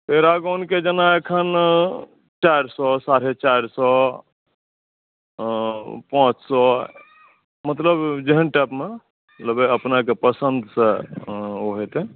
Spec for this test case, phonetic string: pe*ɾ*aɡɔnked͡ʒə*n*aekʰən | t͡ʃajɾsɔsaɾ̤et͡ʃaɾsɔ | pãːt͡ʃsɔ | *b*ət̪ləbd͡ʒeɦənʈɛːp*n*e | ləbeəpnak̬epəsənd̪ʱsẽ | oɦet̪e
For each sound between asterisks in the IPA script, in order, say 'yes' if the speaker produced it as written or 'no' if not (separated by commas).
yes, yes, no, no